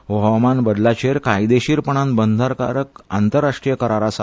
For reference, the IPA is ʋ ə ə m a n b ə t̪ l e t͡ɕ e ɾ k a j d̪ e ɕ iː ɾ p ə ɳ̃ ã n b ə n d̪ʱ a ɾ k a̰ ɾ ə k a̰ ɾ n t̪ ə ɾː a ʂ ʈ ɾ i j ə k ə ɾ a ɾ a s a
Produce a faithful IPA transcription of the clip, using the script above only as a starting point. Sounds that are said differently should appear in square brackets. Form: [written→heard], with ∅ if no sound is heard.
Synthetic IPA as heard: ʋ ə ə m a n b ə [t̪→d̪] l [e→a] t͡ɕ e ɾ k a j d̪ e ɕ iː ɾ p ə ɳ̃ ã n b ə n d̪ʱ a ɾ k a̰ ɾ ə k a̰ [ɾ→∅] n t̪ ə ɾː a ʂ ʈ ɾ i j ə k ə ɾ a ɾ a s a